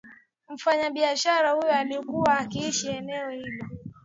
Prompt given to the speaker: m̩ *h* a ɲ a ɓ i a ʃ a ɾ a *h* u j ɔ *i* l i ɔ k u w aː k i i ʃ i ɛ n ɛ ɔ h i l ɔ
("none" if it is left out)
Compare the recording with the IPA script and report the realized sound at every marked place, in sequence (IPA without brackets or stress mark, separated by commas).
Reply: f, h, a